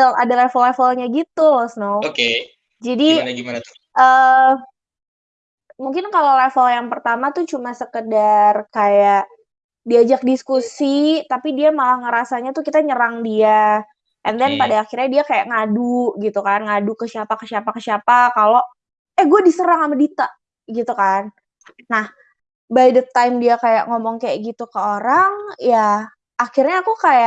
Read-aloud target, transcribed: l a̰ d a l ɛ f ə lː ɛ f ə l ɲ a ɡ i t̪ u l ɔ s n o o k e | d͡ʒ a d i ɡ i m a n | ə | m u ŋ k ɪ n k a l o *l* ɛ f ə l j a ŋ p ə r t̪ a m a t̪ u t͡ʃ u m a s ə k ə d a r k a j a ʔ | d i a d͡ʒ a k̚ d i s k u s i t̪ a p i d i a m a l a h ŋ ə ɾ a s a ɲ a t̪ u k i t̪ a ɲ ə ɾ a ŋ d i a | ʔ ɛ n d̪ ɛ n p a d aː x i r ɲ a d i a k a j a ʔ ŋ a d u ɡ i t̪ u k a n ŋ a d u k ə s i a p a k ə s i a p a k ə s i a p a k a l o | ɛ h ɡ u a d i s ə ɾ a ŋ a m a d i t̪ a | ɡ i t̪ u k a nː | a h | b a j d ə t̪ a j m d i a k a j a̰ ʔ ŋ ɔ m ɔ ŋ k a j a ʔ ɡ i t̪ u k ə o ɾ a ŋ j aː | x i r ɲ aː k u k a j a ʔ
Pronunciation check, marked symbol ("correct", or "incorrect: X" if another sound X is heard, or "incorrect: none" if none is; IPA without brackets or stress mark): correct